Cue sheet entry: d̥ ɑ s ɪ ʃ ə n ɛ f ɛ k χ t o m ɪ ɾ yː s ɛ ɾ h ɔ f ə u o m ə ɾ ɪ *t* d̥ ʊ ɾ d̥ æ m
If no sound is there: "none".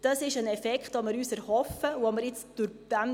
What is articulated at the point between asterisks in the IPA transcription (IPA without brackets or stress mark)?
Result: t͡s